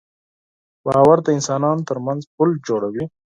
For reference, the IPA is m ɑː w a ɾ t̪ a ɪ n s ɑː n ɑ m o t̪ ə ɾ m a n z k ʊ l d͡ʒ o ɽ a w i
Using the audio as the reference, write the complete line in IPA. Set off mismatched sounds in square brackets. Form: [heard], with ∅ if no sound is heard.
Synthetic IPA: [b] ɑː w a ɾ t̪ a ɪ n s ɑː n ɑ [n] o t̪ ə ɾ m a n z [p] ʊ l d͡ʒ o ɽ a w i